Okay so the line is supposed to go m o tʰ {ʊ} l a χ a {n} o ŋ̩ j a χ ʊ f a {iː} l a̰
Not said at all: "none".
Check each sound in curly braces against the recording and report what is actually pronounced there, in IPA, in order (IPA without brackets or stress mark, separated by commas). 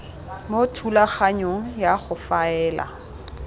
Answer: u, ɲ, ɛː